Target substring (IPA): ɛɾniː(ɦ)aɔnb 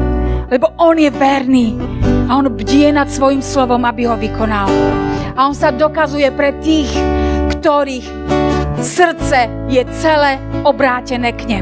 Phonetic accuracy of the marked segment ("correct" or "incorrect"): incorrect